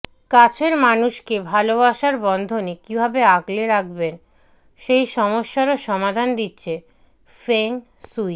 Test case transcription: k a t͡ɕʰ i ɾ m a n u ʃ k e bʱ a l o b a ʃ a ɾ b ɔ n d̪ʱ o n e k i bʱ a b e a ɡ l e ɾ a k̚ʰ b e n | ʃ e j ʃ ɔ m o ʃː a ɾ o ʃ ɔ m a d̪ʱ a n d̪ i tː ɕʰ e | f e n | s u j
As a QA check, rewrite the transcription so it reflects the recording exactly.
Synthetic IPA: k a t͡ɕʰ e ɾ m a n u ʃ k e bʱ a l o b a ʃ a ɾ b ɔ n d̪ʱ o n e k i bʱ a b e a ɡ l e ɾ a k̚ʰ b e n | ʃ e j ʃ ɔ m o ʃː a ɾ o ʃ ɔ m a d̪ʱ a n d̪ i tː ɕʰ e | f e ŋ | s u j